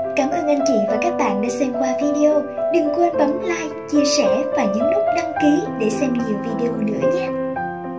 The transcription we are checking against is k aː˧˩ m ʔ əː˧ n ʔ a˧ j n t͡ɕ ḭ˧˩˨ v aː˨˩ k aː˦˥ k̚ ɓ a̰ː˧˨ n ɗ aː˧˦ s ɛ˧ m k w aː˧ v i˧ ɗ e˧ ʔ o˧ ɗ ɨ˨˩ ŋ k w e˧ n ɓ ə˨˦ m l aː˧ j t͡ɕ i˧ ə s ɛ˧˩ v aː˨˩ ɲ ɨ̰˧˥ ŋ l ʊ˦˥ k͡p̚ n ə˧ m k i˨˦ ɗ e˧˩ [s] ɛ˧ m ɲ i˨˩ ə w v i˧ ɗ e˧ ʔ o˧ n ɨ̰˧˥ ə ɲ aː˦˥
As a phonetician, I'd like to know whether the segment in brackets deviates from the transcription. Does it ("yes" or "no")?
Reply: no